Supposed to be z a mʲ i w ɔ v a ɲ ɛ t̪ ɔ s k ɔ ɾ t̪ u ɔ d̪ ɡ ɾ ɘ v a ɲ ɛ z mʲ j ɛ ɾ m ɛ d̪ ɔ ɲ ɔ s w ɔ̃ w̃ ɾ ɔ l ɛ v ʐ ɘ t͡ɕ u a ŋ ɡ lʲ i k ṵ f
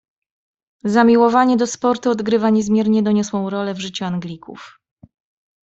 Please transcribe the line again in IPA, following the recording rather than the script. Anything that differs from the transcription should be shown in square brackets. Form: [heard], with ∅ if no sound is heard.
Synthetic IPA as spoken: z a mʲ i w ɔ v a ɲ ɛ [d̪] ɔ s [p] ɔ ɾ t̪ u ɔ d̪ ɡ ɾ ɘ v a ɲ ɛ z mʲ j ɛ ɾ [ɲ] ɛ d̪ ɔ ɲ ɔ s w ɔ̃ w̃ ɾ ɔ l ɛ v ʐ ɘ t͡ɕ u a ŋ ɡ lʲ i k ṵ f